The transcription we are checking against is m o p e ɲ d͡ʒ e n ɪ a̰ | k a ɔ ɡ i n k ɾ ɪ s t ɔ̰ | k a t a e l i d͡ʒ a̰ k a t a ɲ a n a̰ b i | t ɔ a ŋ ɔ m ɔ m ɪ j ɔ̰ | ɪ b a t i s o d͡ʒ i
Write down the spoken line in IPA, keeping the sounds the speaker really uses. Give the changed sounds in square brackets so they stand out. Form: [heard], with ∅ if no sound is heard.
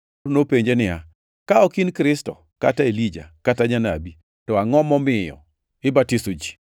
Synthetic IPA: [n] o p e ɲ d͡ʒ e n ɪ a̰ | k a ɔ [k] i n k ɾ ɪ s t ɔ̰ | k a t a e l i d͡ʒ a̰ k a t a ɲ a n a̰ b i | t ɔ a ŋ ɔ m ɔ m ɪ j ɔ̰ | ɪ b a t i s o d͡ʒ i

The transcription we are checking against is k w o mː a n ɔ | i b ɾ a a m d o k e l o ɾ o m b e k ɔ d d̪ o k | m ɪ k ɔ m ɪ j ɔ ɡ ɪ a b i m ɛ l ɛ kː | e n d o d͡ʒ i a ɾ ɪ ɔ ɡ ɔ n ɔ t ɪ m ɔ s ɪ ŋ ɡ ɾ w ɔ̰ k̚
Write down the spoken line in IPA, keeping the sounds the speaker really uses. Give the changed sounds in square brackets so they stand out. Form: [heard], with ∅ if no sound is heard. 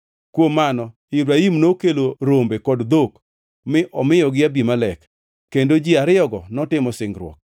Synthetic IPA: k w o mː a n ɔ | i b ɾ a [i] m [n] o k e l o ɾ o m b e k ɔ d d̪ o k | m ɪ [ʔ] ɔ m ɪ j ɔ ɡ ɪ a b i m [a] l ɛ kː | e n d o d͡ʒ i a ɾ ɪ ɔ ɡ ɔ n ɔ t ɪ m ɔ s ɪ ŋ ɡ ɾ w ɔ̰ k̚

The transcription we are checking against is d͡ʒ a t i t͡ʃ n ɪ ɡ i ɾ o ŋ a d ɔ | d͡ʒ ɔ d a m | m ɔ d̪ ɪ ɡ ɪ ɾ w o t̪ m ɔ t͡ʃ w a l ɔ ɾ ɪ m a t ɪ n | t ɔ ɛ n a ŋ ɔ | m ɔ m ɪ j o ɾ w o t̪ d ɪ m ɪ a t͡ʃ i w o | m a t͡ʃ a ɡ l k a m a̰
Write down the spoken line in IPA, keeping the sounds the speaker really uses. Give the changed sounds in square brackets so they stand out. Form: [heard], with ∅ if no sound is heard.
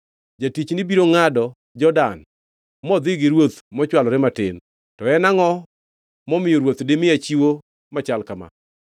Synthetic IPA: d͡ʒ a t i t͡ʃ n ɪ [b] i ɾ o ŋ a d ɔ | d͡ʒ ɔ d a [n] | m ɔ d̪ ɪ ɡ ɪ ɾ w o t̪ m ɔ t͡ʃ w a l ɔ ɾ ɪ m a t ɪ n | t ɔ ɛ n a ŋ ɔ | m ɔ m ɪ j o ɾ w o t̪ d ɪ m ɪ a t͡ʃ i w o | m a t͡ʃ a [∅] l k a m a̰

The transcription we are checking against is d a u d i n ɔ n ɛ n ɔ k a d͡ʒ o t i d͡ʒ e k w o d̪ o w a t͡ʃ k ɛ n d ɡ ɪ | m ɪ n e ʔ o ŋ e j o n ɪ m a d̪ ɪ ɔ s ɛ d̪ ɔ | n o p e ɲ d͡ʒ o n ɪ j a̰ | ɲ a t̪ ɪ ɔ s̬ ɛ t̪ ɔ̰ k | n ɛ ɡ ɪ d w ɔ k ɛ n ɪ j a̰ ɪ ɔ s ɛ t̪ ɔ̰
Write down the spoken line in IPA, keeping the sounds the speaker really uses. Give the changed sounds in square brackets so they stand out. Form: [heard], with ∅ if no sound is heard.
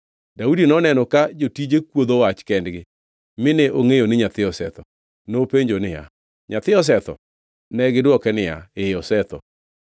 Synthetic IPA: d a u d i n ɔ n ɛ n ɔ k a d͡ʒ o t i d͡ʒ e k w o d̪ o w a t͡ʃ k ɛ n d ɡ ɪ | m ɪ n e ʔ o ŋ e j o n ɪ [ɲ] a [t̪] ɪ ɔ s ɛ [t̪] ɔ | n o p e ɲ d͡ʒ o n ɪ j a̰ | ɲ a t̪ ɪ ɔ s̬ ɛ t̪ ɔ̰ [∅] | n ɛ ɡ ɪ d w ɔ k ɛ n ɪ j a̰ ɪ ɔ s ɛ t̪ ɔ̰

